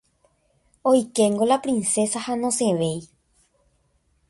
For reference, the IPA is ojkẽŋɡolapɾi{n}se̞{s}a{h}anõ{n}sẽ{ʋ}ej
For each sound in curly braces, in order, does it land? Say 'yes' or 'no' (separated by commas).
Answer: yes, yes, yes, no, yes